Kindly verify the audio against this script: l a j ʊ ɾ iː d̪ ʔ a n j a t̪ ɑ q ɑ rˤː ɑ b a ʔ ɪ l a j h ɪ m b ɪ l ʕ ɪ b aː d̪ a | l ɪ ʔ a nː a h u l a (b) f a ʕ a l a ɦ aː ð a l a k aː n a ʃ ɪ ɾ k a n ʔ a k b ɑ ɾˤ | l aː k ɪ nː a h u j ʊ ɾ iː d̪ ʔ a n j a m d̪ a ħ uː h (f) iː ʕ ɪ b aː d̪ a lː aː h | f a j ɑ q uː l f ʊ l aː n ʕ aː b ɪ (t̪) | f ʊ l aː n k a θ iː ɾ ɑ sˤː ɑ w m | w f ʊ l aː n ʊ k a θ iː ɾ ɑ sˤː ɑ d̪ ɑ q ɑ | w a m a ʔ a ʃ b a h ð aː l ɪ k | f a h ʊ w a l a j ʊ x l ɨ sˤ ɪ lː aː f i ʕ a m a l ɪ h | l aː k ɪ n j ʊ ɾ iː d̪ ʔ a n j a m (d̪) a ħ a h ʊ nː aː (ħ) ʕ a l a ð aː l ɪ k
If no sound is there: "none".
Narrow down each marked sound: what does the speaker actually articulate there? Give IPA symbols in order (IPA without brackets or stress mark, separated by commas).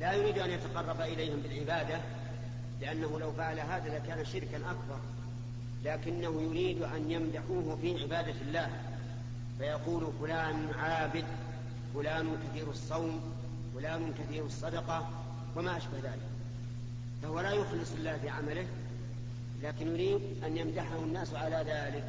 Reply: w, f, d̪, d̪, s